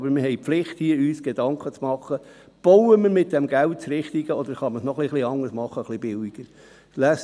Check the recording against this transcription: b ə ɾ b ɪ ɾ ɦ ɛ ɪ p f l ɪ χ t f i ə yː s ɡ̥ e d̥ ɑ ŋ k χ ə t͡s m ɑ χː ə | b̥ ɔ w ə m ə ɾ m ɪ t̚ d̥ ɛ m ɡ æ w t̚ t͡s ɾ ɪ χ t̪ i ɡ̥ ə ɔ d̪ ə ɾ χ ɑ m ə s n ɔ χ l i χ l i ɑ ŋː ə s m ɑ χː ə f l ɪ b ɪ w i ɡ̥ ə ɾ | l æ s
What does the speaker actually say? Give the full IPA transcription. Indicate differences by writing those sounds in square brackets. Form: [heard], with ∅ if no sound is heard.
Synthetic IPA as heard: b ə ɾ [m] ɪ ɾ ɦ ɛ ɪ p f l ɪ χ t [h] i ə yː s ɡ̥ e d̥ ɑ ŋ k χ ə t͡s m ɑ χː ə | b̥ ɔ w ə m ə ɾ m ɪ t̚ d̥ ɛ m ɡ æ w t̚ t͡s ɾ ɪ χ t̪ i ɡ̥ ə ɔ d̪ ə ɾ χ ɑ m ə s n ɔ χ l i χ l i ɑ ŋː ə s m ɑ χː ə [χ] l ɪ b ɪ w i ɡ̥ ə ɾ | l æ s

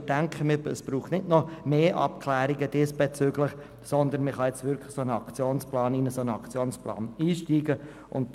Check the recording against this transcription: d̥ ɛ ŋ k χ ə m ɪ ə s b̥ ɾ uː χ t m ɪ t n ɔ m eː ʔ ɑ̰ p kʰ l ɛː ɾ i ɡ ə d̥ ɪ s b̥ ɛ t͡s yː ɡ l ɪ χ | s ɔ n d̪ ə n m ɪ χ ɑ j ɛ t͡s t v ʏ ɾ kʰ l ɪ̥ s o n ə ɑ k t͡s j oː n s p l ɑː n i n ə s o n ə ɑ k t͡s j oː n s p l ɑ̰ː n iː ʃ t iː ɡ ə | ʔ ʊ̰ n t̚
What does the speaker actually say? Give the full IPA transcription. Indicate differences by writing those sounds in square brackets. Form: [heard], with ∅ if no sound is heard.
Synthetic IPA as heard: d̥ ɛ ŋ k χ ə m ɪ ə s b̥ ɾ uː χ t [n] ɪ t n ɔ m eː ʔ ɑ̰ p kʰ l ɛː ɾ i ɡ ə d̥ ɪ s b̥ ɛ t͡s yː ɡ l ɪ χ | s ɔ n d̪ ə n m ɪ χ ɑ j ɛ t͡s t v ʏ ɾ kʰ l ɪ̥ s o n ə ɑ k t͡s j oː n s p l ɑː n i n ə s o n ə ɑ k t͡s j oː n s p l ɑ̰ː n iː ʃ t iː ɡ ə | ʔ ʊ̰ n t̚

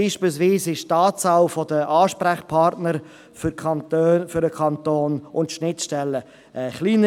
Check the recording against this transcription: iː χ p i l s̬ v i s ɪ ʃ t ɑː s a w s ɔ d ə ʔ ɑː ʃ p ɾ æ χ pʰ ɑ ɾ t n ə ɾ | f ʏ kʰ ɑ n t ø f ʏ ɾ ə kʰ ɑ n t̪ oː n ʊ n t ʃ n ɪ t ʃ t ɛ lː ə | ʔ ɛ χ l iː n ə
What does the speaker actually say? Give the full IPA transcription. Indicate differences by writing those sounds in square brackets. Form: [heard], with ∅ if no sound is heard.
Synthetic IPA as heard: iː [ʃ] p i l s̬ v [iː] s ɪ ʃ t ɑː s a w [f] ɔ d ə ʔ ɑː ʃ p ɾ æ χ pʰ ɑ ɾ t n ə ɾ | f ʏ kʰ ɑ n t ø f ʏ ɾ ə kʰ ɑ n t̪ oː n ʊ n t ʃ n ɪ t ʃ t ɛ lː ə | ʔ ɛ χ l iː n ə

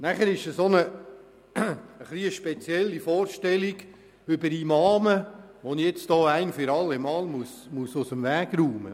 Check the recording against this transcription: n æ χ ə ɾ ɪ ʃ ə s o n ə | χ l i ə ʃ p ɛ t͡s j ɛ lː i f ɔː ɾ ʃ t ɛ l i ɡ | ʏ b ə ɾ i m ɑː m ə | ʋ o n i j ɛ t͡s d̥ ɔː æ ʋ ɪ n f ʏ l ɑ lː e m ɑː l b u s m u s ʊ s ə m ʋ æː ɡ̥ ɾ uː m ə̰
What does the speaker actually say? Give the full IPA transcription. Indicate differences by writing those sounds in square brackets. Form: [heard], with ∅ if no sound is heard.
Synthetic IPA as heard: n æ χ ə ɾ ɪ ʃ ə s o n ə | χ l i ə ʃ p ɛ t͡s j ɛ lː i f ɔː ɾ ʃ t ɛ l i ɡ | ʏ b ə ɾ i m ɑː m ə | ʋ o n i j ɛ t͡s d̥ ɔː æ [∅] ɪ n f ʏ [ɾ] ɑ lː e m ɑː l [m] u s m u s ʊ s ə m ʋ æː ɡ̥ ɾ uː m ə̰

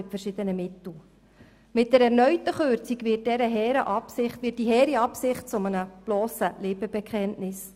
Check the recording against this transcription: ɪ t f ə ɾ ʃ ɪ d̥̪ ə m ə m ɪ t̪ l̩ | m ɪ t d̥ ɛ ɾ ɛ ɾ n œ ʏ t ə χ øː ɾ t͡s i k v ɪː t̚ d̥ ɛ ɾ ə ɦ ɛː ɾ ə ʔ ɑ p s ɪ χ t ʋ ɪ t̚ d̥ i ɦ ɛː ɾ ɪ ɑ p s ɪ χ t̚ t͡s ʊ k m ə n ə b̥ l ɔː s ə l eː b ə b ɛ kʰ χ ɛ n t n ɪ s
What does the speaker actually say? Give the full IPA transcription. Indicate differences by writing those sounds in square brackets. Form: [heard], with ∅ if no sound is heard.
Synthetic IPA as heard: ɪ t f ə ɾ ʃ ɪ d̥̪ ə [n] ə m ɪ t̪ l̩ | m ɪ t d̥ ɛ ɾ ɛ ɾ n œ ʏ t ə χ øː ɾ t͡s i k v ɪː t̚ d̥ ɛ ɾ ə ɦ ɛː ɾ ə ʔ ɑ p s ɪ χ t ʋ ɪ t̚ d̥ i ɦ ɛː ɾ [i] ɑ p s ɪ χ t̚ t͡s ʊ [∅] m ə n ə b̥ l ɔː s ə l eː b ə b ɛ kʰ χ ɛ n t n ɪ s

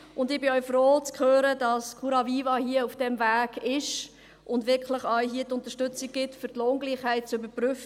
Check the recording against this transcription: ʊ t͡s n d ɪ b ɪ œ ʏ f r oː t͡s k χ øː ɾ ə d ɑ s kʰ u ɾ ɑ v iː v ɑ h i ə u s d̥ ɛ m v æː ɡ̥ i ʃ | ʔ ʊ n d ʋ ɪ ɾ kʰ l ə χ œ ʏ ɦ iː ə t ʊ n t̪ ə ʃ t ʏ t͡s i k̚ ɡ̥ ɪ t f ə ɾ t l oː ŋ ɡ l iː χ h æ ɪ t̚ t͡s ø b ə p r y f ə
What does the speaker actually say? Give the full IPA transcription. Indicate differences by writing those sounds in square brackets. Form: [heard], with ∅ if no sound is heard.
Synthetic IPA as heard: ʊ [∅] n d ɪ b ɪ œ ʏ f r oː t͡s k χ øː ɾ ə d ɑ s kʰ u ɾ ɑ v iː v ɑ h i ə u [f] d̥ ɛ m v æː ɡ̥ [ɪ] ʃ | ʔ ʊ n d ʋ ɪ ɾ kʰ l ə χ œ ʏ ɦ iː ə t ʊ n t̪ ə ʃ t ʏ t͡s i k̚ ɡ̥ ɪ t f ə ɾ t l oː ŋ ɡ l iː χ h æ ɪ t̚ t͡s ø b ə p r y f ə

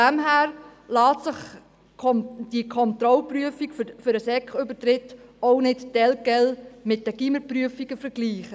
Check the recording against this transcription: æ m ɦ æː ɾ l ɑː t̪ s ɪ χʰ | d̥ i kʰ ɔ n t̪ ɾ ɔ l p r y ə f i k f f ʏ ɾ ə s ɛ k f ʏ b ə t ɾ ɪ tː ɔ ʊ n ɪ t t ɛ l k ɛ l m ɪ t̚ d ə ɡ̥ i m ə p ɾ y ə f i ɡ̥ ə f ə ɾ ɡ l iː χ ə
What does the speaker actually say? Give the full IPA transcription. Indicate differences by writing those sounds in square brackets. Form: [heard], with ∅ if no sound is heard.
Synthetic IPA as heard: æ m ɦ æː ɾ l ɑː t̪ s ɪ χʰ | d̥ i kʰ ɔ n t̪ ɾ ɔ l p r y ə f i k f f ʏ ɾ ə s ɛ k [χ] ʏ b ə t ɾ ɪ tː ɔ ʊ n ɪ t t ɛ l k ɛ l m ɪ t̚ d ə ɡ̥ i m ə p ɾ y ə f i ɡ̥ ə f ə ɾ ɡ l iː χ ə

